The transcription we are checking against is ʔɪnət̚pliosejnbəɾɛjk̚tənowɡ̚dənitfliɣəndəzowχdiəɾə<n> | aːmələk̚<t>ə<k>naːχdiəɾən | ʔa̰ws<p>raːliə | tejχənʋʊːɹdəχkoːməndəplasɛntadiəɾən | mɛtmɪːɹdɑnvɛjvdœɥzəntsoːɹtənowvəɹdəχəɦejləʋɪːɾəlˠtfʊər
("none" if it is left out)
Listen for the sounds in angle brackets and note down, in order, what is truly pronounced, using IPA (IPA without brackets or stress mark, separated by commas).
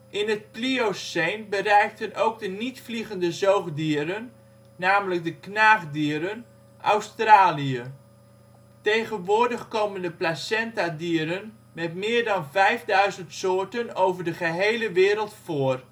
nː, d, k, t